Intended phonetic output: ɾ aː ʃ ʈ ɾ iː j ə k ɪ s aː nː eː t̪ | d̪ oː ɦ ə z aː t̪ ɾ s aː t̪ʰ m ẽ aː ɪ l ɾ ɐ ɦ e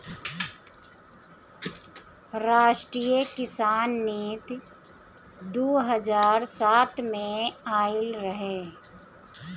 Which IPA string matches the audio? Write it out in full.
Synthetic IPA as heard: ɾ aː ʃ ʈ ɾ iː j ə k ɪ s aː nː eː t̪ | d̪ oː ɦ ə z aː ɾ s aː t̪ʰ m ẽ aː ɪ l ɾ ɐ ɦ e